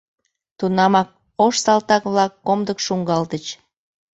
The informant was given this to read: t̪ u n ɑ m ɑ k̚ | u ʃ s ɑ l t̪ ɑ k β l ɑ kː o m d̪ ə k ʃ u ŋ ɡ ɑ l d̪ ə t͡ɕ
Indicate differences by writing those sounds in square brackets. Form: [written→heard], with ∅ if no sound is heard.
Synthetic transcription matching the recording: t̪ u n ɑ m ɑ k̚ | [u→o] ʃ s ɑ l t̪ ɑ k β l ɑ kː o m d̪ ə k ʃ u ŋ ɡ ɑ l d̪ ə t͡ɕ